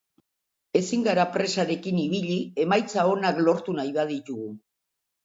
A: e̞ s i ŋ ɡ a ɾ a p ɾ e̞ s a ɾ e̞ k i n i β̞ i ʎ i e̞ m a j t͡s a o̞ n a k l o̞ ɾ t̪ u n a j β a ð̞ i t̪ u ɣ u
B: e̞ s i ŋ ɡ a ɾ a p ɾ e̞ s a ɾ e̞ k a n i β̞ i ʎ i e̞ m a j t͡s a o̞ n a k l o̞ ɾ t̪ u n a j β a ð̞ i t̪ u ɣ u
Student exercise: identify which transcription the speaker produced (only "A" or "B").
A